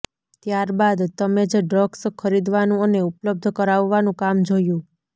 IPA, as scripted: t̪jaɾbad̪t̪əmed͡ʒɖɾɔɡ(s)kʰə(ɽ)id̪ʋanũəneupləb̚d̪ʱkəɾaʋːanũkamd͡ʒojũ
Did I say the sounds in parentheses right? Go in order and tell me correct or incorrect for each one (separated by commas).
correct, incorrect